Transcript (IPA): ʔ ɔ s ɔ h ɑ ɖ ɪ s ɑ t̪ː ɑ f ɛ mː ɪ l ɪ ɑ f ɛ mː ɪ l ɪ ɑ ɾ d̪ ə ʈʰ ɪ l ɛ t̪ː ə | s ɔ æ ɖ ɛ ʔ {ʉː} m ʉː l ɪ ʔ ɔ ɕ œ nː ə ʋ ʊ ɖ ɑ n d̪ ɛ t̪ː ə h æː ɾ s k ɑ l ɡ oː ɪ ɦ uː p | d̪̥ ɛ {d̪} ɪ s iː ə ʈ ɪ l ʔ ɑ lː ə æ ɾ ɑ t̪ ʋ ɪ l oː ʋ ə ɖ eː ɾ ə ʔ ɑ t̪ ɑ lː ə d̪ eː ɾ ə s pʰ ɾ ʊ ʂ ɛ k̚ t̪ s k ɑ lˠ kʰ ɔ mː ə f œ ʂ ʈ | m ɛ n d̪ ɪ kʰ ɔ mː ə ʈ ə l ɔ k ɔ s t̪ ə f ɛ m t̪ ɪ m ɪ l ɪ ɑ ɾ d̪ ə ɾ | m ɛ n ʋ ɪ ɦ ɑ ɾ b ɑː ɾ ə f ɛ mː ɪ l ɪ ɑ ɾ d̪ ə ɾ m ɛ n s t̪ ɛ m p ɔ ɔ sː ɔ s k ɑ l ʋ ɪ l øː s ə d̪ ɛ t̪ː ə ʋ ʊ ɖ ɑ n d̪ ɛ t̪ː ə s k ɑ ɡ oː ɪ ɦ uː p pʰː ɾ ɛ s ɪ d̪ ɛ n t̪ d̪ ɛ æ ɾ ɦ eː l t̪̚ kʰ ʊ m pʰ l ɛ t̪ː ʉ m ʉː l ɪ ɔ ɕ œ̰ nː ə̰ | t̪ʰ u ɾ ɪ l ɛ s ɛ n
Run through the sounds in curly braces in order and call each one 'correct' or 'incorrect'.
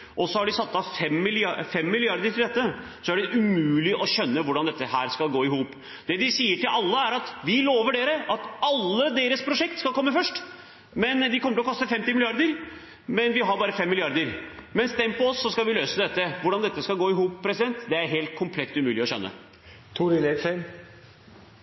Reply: incorrect: ʉ, correct

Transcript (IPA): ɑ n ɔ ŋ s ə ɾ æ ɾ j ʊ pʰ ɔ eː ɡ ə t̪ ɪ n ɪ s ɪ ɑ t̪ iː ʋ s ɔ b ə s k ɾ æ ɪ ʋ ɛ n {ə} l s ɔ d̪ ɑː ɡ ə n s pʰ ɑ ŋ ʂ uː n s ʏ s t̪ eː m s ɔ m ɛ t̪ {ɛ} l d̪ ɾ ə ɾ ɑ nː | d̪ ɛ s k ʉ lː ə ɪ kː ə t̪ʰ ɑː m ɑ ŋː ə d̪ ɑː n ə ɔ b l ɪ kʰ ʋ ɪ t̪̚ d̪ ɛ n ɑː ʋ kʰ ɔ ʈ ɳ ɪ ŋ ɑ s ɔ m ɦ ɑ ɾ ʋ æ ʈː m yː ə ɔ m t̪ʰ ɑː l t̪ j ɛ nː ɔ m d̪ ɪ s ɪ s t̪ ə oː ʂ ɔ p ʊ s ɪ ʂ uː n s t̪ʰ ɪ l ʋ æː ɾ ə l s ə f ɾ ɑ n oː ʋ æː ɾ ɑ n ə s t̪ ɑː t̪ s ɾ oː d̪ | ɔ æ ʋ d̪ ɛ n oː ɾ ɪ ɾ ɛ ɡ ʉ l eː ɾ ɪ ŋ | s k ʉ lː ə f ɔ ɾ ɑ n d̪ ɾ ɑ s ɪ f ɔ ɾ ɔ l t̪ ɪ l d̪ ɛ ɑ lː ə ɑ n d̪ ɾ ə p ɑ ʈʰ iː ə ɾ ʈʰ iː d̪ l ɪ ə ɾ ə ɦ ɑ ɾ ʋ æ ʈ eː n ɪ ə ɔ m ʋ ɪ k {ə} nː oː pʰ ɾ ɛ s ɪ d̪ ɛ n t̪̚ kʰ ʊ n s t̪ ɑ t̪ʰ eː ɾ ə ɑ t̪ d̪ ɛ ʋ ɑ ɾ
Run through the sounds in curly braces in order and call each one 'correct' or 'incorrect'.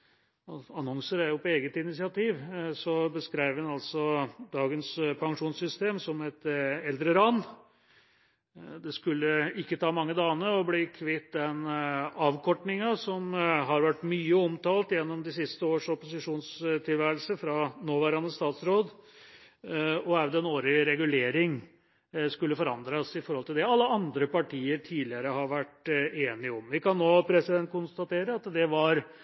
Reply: incorrect: ɑ, correct, incorrect: ɑ

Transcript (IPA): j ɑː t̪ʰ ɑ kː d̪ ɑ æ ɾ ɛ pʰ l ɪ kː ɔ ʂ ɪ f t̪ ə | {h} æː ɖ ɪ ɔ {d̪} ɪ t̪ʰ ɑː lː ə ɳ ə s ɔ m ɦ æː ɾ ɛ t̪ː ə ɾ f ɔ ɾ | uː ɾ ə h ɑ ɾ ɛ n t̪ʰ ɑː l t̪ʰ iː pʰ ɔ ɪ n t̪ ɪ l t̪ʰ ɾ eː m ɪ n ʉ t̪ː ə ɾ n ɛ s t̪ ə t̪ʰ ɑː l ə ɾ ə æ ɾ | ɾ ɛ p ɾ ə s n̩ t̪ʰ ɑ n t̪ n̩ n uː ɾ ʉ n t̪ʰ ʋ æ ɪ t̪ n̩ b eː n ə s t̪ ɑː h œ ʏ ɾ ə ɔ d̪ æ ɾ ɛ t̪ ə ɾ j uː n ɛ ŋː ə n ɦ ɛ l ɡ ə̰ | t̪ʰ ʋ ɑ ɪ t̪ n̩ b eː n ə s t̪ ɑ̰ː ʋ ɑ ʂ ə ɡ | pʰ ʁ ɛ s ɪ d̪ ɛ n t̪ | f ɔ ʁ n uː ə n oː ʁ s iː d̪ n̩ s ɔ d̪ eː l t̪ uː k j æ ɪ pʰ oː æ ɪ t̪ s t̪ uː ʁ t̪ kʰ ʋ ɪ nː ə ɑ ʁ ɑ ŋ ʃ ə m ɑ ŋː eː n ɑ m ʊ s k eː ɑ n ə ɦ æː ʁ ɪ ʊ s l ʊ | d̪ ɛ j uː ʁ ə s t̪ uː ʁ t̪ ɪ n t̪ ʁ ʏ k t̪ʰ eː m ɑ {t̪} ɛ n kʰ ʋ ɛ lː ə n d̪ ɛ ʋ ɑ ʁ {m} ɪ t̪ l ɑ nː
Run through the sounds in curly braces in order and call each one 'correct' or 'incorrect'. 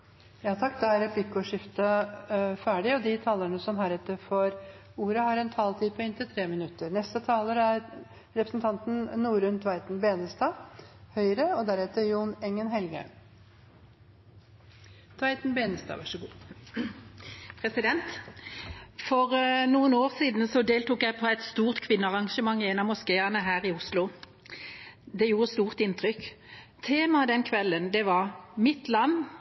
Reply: incorrect: f, correct, incorrect: d̪, correct

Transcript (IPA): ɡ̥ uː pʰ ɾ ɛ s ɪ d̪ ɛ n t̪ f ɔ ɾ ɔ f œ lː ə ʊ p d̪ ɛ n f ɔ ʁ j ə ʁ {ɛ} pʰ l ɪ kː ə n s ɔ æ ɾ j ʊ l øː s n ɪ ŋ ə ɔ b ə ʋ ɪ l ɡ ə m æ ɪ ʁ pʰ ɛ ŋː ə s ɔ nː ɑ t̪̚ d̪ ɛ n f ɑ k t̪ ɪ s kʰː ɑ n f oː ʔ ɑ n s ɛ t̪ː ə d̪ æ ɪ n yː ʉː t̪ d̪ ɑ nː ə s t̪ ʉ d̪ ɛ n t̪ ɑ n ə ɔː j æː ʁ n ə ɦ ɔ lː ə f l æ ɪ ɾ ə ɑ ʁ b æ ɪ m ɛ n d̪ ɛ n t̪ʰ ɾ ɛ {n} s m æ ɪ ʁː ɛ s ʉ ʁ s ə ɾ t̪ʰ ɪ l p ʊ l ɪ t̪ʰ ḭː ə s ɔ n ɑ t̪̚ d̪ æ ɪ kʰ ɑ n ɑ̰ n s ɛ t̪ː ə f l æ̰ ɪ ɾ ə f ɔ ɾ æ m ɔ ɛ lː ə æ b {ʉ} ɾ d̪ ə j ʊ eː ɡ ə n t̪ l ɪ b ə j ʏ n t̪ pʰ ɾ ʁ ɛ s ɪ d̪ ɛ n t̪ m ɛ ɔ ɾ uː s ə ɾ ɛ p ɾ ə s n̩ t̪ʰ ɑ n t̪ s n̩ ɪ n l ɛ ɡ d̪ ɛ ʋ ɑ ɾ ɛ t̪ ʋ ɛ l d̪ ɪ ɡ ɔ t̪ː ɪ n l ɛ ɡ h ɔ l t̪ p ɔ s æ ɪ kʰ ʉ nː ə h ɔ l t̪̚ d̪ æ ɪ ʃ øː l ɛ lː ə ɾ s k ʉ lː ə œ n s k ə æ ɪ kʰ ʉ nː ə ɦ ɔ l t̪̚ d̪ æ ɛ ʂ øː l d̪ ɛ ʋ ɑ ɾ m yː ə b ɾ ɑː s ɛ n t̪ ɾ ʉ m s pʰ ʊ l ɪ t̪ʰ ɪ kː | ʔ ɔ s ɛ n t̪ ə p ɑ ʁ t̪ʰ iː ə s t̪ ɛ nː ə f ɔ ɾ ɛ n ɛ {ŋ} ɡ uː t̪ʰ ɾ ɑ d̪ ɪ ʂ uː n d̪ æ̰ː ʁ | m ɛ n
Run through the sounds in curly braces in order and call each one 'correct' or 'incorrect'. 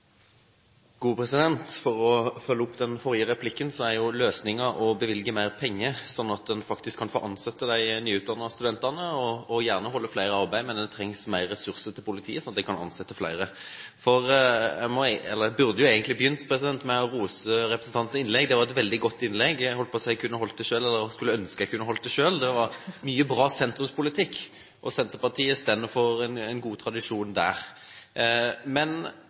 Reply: correct, incorrect: ŋ, correct, incorrect: n

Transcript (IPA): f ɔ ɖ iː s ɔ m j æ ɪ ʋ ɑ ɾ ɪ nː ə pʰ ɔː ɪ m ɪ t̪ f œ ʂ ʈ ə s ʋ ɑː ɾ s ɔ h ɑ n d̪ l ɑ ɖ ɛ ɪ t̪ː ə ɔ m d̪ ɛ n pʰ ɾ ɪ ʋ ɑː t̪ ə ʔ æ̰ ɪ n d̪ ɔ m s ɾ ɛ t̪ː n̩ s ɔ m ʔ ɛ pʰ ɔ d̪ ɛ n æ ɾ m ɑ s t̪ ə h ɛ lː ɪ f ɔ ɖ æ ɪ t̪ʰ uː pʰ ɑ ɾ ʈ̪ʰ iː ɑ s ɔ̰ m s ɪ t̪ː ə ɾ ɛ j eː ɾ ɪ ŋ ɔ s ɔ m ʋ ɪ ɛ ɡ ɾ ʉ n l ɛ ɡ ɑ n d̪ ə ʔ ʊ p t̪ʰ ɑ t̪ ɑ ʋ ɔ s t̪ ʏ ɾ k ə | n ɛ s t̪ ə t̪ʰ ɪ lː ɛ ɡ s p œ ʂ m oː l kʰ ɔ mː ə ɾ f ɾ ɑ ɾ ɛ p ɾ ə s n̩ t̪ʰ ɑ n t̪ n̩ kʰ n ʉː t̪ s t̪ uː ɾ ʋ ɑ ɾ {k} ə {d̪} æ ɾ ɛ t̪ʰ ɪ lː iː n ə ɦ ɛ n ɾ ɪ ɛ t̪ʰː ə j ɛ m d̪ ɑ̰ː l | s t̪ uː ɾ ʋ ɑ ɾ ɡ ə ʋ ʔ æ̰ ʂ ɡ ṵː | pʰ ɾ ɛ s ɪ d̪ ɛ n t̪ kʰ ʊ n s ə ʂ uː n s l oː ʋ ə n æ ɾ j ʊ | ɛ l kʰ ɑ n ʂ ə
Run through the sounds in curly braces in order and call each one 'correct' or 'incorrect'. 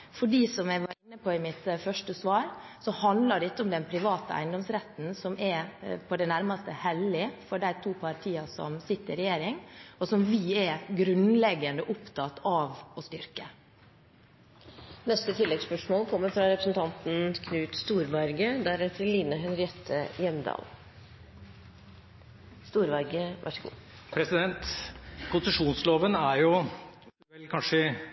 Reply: incorrect: ɡ, correct

